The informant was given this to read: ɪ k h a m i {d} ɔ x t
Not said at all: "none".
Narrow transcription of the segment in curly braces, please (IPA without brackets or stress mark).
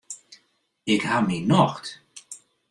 n